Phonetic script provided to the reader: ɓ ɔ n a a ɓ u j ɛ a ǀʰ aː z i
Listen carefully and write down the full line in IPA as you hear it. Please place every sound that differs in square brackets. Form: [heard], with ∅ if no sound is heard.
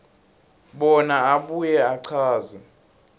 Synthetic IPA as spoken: ɓ ɔ n a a ɓ u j ɛ a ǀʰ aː z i